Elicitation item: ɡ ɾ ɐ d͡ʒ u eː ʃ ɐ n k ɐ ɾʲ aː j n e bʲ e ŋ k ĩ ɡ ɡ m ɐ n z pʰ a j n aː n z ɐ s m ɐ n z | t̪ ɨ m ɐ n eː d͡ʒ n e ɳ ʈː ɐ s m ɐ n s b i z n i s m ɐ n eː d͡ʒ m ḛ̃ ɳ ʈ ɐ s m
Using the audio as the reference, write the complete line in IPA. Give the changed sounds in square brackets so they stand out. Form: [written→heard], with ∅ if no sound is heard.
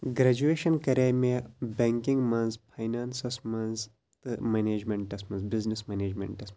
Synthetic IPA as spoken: ɡ ɾ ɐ d͡ʒ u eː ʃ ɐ n k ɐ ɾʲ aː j [n→m] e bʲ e ŋ k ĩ [ɡ→ŋ] ɡ m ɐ n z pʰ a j n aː n [z→s] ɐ s m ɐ n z | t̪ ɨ m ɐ n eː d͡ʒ [n→m] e ɳ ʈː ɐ s m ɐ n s b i z n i s m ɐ n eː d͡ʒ m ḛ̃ ɳ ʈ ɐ s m